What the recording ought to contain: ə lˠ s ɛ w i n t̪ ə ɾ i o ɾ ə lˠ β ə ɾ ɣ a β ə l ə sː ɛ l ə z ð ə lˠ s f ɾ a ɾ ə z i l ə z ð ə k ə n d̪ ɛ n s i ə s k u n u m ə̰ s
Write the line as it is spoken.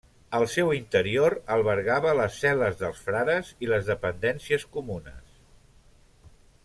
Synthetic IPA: ə lˠ s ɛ w i n t̪ ə ɾ i o ɾ ə lˠ β ə ɾ ɣ a β ə l ə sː ɛ l ə z ð ə lˠ s f ɾ a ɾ ə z i l ə z ð ə p ə n d̪ ɛ n s i ə s k u m u n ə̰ s